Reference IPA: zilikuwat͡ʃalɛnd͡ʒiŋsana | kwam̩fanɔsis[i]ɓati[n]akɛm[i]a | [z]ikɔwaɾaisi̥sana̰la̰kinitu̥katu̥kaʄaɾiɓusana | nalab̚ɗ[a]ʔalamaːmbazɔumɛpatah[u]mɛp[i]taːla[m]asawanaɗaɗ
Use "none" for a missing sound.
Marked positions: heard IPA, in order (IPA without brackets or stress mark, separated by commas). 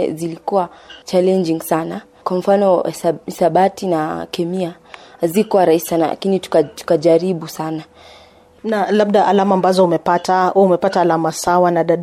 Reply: a, n, i, z, a, u, a, m